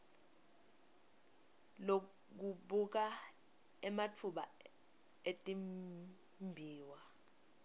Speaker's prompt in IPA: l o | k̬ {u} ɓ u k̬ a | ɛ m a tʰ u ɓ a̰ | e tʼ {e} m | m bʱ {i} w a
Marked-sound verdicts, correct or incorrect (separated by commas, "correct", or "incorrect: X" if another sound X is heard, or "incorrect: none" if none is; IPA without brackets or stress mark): correct, incorrect: i, incorrect: iː